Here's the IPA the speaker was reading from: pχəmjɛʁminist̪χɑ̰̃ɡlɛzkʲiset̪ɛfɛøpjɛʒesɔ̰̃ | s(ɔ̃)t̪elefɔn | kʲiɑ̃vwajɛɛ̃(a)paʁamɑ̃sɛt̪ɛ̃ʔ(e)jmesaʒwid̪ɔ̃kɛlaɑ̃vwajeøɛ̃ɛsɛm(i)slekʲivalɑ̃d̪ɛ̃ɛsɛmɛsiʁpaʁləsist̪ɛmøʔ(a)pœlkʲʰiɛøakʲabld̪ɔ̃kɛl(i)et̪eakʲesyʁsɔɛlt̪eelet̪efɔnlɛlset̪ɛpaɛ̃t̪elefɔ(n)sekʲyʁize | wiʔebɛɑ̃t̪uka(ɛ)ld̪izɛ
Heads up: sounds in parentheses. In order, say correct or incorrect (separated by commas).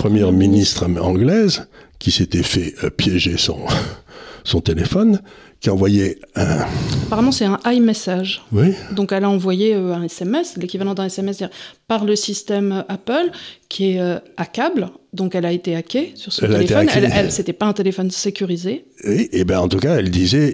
correct, correct, incorrect, incorrect, correct, incorrect, correct, correct